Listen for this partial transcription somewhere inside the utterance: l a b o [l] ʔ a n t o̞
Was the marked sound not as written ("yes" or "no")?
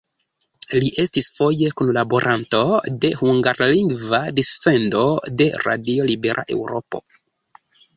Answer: yes